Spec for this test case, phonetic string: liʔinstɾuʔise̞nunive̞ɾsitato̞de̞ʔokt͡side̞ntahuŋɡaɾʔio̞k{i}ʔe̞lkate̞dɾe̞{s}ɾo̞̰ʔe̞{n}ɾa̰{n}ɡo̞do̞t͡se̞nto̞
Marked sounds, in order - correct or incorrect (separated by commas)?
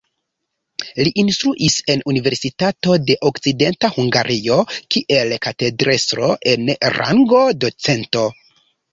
correct, correct, correct, incorrect